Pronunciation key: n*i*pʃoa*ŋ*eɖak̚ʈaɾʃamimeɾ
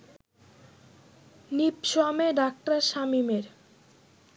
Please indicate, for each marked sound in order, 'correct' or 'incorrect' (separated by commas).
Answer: correct, incorrect